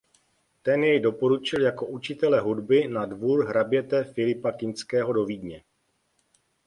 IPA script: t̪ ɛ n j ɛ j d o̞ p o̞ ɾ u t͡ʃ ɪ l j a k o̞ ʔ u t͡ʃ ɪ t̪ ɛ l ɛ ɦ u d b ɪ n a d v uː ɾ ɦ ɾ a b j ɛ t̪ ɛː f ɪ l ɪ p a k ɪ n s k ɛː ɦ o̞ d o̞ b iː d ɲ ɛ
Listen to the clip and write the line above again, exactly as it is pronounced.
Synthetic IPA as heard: t̪ ɛ n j ɛ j d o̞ p o̞ ɾ u t͡ʃ ɪ l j a k o̞ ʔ u t͡ʃ ɪ t̪ ɛ l ɛ ɦ u d b ɪ n a d v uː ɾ ɦ ɾ a b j ɛ t̪ ɛ f ɪ l ɪ p a k ɪ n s k ɛː ɦ o̞ d o̞ v iː d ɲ ɛ